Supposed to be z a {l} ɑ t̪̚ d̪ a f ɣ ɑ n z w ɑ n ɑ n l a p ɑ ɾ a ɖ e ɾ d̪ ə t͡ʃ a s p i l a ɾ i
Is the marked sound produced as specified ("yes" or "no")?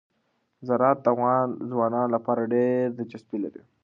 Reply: no